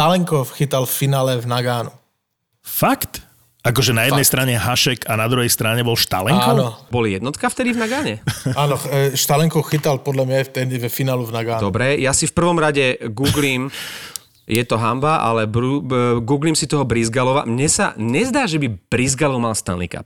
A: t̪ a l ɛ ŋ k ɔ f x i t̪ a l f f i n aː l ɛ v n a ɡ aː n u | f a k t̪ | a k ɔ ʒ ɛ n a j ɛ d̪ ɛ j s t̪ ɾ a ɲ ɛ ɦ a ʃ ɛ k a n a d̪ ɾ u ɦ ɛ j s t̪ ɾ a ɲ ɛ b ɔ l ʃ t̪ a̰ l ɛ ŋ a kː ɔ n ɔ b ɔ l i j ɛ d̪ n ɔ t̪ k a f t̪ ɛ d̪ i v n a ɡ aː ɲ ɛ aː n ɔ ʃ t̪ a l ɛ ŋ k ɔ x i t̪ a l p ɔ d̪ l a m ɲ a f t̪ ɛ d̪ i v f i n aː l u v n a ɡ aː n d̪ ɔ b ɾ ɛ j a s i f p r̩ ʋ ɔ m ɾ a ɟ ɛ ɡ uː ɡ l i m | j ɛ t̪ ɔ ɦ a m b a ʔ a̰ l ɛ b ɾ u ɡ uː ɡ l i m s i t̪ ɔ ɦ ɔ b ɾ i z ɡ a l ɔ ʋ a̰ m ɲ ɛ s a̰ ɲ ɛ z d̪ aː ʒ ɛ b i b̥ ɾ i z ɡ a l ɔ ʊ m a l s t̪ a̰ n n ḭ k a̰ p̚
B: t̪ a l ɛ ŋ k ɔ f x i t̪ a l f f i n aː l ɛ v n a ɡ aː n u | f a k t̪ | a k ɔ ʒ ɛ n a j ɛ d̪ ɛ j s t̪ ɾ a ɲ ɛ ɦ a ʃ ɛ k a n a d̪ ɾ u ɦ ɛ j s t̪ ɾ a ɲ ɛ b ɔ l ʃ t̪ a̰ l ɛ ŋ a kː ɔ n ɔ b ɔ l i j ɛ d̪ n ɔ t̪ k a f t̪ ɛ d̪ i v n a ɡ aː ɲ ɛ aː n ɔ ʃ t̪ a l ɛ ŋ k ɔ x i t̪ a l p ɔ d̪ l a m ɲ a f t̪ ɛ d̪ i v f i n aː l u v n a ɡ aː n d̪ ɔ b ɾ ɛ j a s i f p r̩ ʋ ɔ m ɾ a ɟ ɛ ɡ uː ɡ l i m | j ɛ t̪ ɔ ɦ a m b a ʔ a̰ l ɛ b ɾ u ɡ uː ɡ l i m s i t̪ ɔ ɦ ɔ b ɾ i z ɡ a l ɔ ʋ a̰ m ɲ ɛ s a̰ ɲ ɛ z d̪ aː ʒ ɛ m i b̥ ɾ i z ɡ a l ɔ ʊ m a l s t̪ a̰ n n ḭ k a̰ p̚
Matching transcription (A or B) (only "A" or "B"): A